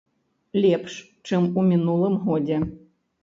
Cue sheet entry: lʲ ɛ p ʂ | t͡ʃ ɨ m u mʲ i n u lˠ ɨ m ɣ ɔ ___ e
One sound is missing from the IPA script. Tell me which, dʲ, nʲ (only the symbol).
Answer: dʲ